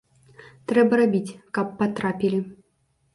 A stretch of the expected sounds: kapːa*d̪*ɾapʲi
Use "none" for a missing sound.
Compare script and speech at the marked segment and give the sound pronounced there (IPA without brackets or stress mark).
t̪